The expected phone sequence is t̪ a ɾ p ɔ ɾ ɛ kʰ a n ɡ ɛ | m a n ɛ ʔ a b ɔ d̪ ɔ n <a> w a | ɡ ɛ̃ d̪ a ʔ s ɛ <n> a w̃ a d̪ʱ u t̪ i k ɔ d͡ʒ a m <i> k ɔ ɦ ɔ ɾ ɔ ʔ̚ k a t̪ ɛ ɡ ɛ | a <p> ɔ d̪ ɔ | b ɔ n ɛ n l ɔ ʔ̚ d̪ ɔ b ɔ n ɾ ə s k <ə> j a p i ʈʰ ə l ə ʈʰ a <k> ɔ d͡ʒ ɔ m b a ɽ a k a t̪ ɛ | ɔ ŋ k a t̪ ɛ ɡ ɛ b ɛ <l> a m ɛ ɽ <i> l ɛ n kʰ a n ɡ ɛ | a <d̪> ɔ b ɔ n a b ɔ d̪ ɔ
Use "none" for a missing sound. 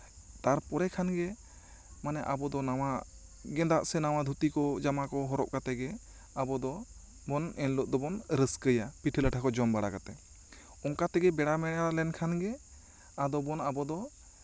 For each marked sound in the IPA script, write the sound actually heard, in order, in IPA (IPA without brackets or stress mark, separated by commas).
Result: a, n, a, b, ə, k, ɽ, a, d̪